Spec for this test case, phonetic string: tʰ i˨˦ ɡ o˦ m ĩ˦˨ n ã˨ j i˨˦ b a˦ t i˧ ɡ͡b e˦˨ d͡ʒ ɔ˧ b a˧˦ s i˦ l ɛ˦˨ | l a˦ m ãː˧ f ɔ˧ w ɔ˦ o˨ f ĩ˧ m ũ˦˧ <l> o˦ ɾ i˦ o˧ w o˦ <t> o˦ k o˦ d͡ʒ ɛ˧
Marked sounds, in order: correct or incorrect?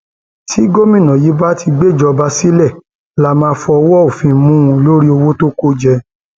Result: correct, correct

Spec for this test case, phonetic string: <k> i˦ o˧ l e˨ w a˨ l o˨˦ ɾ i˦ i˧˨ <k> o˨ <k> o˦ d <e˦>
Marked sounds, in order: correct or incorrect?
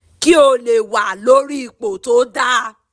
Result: correct, incorrect: k͡p, incorrect: t, incorrect: a˦

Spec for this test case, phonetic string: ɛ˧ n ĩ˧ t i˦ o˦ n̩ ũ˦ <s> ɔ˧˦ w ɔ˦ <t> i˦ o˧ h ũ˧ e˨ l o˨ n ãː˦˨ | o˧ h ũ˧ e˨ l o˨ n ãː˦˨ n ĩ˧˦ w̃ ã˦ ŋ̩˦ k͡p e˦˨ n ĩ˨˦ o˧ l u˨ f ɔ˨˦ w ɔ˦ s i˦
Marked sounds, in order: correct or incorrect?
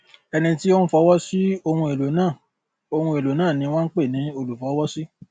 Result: incorrect: f, incorrect: s

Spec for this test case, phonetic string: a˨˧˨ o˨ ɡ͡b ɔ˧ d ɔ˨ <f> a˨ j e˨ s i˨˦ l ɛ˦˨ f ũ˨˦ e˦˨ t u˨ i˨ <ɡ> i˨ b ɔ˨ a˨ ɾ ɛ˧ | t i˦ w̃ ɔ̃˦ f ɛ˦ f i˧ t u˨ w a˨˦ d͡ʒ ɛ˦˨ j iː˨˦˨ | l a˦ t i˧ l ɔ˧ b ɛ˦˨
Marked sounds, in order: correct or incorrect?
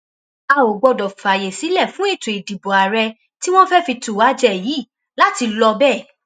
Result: correct, incorrect: d

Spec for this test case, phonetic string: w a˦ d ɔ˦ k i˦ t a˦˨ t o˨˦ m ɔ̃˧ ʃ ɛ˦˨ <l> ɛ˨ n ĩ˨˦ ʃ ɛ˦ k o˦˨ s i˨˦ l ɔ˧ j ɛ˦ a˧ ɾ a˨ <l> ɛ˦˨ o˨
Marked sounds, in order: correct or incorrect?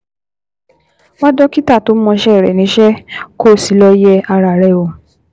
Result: incorrect: ɾ, incorrect: ɾ

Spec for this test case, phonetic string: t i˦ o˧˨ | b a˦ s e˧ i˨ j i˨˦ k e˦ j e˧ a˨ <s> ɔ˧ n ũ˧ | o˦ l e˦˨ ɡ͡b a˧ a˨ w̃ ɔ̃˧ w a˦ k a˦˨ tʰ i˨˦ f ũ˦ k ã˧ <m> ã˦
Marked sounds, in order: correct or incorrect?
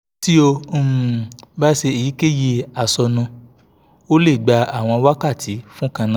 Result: correct, incorrect: n

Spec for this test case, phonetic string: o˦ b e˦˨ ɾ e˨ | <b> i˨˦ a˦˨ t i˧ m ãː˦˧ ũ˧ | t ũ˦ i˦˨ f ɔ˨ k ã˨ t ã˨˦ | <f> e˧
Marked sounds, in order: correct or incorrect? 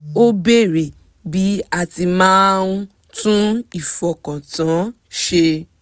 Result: correct, incorrect: ʃ

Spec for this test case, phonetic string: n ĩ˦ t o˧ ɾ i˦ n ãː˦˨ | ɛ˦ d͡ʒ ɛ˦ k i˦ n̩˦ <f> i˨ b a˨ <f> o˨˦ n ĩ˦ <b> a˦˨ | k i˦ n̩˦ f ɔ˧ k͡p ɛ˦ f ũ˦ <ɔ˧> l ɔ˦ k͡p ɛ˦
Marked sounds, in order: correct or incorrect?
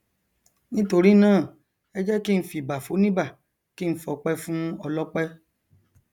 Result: correct, correct, correct, correct

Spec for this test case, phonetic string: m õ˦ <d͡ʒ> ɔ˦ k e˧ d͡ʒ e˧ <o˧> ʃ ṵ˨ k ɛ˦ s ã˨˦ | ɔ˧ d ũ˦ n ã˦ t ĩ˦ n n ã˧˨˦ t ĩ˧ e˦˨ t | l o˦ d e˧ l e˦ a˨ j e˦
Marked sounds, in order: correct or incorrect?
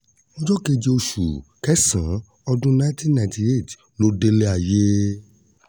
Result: correct, correct

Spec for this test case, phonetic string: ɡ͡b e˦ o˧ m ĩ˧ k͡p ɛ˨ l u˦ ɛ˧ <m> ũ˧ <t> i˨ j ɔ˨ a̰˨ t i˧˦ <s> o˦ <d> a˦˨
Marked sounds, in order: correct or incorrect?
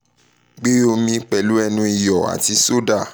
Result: incorrect: n, incorrect: none, correct, correct

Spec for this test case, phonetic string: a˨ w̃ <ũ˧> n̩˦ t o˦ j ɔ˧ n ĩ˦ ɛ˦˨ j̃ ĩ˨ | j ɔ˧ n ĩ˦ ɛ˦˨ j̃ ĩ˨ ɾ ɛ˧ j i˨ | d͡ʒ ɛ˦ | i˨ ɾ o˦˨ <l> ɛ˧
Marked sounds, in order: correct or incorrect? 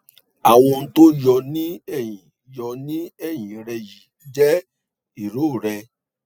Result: incorrect: ɔ̃˧, incorrect: ɾ

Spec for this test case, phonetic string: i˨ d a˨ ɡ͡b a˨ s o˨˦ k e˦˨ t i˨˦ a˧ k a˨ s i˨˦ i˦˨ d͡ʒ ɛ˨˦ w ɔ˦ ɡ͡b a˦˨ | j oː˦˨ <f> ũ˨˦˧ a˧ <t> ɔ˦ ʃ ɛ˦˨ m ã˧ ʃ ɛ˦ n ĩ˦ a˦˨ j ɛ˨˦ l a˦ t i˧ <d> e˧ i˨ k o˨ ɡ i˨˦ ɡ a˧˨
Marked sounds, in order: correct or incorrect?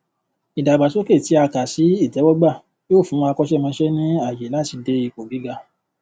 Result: correct, incorrect: k, correct

